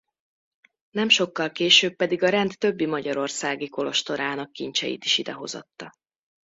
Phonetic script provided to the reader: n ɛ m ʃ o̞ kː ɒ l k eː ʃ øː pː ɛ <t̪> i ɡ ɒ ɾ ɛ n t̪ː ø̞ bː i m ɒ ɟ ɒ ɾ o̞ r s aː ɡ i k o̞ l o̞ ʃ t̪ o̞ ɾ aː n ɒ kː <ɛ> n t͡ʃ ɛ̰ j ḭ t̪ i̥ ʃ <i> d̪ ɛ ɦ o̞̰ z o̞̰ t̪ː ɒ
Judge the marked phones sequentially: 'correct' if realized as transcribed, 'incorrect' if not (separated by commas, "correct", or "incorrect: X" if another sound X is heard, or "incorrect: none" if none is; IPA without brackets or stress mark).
incorrect: d̪, incorrect: i, correct